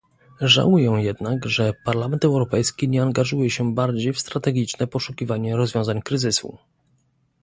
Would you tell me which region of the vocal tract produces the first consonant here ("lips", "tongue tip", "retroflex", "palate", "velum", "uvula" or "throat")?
retroflex